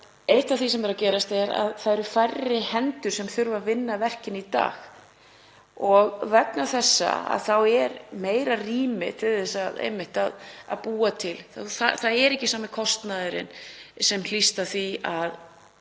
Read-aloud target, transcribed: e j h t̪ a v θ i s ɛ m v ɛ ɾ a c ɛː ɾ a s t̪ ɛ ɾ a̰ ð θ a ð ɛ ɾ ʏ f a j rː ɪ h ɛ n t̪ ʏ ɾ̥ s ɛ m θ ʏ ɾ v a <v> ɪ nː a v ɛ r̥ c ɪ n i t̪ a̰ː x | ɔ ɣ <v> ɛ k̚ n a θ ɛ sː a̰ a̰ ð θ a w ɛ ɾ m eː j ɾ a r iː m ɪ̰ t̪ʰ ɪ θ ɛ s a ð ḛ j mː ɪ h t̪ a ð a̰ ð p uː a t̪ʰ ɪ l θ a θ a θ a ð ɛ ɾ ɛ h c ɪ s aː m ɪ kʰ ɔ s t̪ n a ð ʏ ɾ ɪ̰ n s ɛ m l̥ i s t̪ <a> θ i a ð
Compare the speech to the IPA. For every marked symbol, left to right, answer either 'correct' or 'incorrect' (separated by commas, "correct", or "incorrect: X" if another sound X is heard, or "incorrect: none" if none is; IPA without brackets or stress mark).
correct, correct, correct